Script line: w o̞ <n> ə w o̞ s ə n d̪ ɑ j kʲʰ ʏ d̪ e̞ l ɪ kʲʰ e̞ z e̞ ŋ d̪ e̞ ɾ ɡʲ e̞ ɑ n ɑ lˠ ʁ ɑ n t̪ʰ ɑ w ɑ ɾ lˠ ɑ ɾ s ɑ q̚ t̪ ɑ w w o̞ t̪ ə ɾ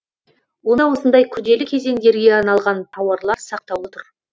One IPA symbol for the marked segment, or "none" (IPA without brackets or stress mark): n